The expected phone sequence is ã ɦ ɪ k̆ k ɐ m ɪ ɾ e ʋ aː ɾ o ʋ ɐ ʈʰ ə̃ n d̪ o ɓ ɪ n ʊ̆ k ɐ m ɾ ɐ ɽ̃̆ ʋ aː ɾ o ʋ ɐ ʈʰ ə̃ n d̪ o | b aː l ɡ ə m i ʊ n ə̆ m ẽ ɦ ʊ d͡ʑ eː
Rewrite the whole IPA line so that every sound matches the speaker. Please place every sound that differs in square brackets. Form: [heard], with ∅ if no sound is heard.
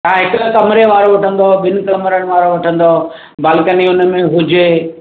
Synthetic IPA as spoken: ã ɦ ɪ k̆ k ɐ m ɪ ɾ e ʋ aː ɾ o ʋ ɐ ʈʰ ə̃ n d̪ o ɓ ɪ n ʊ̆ k ɐ m ɾ [ə] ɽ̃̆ ʋ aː ɾ o ʋ ɐ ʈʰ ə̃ n d̪ o | b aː l [k] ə [n] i ʊ n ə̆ m ẽ ɦ ʊ d͡ʑ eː